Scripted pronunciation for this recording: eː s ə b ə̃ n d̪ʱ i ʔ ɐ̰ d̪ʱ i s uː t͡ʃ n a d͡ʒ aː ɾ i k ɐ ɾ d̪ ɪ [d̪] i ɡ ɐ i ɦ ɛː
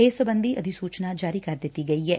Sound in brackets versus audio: incorrect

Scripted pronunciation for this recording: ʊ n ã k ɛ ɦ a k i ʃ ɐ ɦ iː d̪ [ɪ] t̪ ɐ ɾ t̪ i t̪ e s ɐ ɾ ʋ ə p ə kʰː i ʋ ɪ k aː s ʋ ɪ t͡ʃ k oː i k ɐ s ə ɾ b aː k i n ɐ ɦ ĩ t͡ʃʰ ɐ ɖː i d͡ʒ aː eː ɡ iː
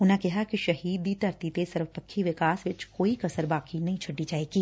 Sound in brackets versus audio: incorrect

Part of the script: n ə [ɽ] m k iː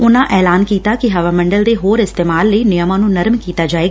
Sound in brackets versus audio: incorrect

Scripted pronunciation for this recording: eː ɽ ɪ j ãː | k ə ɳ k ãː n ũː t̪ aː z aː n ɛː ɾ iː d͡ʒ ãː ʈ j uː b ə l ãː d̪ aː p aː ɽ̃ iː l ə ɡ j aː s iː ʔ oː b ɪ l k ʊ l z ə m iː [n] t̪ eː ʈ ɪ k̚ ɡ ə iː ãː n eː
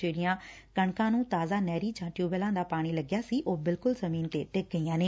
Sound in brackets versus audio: correct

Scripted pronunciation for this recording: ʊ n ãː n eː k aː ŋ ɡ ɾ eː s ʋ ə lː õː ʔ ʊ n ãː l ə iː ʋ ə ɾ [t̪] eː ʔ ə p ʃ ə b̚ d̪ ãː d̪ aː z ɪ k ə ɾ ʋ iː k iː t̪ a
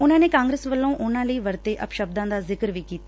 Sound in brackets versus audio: correct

